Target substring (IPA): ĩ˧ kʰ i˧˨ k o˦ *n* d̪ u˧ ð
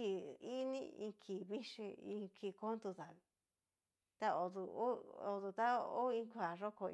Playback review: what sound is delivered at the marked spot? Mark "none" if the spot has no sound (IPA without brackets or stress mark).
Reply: n